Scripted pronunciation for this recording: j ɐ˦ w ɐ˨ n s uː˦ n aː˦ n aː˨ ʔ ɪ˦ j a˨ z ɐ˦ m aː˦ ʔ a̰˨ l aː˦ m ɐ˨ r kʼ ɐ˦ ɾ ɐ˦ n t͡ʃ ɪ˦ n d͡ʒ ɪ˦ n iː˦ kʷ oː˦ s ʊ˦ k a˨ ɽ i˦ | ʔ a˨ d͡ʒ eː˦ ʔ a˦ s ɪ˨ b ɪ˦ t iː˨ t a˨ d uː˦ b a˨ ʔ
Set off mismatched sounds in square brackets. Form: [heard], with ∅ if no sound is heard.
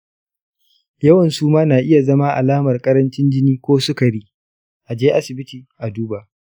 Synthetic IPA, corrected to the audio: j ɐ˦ w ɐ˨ n s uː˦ [m] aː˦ n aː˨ ʔ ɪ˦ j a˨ z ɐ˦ m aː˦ ʔ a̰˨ l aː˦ m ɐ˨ r kʼ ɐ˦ ɾ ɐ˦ n t͡ʃ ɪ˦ n d͡ʒ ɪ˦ n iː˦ kʷ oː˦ s ʊ˦ k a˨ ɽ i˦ | ʔ a˨ d͡ʒ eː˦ ʔ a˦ s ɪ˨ b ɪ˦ t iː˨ [ʔ] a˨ d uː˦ b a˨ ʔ